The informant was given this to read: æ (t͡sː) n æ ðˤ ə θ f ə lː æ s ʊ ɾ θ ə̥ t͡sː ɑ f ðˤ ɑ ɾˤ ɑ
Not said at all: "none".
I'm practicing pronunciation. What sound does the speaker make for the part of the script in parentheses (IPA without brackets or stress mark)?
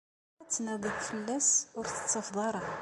t͡sː